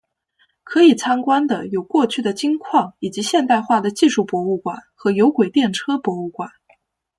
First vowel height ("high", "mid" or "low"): mid